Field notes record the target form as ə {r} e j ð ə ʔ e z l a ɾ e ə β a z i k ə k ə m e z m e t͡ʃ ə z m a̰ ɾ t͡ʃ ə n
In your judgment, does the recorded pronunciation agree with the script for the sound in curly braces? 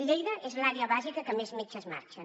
no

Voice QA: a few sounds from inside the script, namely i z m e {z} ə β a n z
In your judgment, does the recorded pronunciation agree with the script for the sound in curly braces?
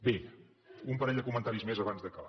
yes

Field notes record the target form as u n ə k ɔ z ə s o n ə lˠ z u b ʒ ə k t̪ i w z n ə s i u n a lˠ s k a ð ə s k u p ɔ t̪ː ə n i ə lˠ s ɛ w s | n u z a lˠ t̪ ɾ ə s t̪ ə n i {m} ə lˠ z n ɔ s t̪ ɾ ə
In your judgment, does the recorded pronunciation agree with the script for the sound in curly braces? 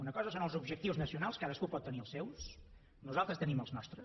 yes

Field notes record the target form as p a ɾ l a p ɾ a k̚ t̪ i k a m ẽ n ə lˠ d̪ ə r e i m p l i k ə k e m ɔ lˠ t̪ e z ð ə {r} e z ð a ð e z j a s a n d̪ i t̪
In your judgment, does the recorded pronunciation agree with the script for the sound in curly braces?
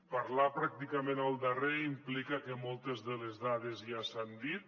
no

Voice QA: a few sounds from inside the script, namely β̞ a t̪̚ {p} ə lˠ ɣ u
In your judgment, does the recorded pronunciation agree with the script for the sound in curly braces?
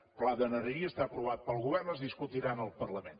yes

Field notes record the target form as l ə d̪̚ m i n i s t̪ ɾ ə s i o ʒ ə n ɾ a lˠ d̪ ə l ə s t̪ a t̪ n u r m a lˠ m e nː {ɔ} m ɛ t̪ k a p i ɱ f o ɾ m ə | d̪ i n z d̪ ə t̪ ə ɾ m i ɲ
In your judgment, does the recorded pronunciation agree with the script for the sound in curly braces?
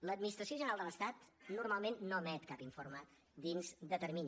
no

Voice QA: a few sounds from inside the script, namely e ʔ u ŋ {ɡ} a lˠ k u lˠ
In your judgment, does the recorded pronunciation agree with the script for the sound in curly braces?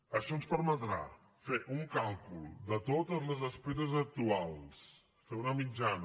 no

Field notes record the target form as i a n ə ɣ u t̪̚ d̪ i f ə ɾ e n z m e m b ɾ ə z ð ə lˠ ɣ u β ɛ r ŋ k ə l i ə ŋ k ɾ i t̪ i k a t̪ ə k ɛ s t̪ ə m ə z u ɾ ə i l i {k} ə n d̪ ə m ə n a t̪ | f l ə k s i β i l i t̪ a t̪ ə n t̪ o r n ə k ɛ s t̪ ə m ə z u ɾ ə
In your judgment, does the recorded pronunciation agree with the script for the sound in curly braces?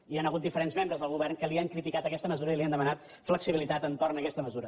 no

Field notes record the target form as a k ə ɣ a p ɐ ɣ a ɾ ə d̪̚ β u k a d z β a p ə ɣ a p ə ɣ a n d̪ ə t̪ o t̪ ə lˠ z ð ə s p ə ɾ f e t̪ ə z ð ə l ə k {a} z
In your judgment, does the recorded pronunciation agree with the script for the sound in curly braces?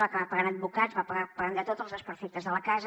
yes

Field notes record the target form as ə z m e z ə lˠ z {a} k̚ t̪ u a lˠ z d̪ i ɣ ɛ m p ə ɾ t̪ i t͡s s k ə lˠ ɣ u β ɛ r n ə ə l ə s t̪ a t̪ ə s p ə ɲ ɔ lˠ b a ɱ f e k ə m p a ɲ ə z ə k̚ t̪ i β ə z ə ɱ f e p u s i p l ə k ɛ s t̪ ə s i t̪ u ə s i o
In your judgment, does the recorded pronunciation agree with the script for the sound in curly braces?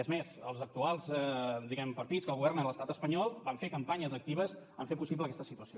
no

